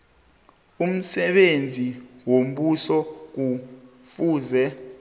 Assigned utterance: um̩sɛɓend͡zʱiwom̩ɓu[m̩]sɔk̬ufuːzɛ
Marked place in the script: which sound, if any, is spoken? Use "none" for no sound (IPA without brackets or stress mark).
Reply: none